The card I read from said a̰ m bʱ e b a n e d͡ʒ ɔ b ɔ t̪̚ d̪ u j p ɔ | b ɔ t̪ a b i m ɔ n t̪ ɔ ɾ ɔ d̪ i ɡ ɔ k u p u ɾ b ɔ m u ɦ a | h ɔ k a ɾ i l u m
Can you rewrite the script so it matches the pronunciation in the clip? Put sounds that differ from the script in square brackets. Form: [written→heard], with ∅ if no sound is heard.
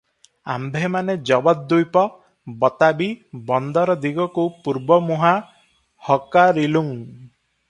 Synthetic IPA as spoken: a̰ m bʱ e [b→m] a n e d͡ʒ ɔ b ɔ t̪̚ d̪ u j p ɔ | b ɔ t̪ a b i [m→b] ɔ n [t̪→d̪] ɔ ɾ ɔ d̪ i ɡ ɔ k u p u ɾ b ɔ m u ɦ a | h ɔ k a ɾ i l u [m→ŋ]